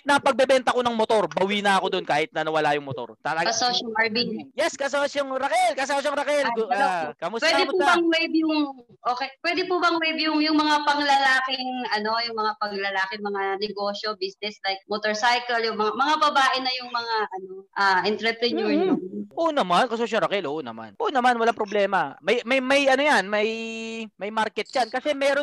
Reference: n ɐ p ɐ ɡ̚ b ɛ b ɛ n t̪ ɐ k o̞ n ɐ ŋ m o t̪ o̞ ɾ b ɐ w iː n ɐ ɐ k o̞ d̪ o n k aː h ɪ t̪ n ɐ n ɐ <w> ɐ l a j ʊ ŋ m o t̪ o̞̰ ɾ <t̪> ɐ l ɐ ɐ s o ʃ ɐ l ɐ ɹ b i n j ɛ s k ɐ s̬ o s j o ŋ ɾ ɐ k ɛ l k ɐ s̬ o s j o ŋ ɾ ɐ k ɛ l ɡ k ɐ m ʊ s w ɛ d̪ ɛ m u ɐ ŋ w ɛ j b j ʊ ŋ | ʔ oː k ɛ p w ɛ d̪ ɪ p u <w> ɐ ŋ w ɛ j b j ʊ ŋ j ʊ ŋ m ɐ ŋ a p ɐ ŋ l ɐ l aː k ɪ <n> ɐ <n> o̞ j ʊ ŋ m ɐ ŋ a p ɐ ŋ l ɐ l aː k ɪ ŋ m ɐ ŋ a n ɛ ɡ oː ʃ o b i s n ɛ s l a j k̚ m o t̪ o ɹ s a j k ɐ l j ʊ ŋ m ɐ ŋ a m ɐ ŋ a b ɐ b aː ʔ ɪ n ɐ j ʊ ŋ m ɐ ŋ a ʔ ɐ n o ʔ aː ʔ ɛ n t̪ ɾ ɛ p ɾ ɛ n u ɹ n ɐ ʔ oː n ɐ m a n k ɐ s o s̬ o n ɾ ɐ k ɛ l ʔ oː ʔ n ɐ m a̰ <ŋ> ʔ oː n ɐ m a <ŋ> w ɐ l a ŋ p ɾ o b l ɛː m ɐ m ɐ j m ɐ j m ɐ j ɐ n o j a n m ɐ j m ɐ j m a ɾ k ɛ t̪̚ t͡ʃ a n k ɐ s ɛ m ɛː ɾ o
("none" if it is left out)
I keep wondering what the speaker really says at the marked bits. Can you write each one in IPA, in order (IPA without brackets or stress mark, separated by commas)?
w, t̪, b, ŋ, n, n, n